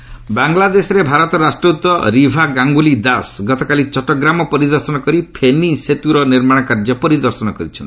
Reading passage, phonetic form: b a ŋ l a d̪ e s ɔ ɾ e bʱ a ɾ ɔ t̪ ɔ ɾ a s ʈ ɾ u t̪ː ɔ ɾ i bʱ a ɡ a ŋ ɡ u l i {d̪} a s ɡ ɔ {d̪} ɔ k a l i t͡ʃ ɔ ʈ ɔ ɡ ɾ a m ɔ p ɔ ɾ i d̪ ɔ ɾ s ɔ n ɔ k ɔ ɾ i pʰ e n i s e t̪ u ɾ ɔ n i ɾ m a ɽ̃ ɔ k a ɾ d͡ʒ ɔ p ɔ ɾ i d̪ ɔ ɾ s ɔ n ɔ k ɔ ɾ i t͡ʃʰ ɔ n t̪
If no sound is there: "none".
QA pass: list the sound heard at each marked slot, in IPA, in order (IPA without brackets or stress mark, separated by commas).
d̪, t̪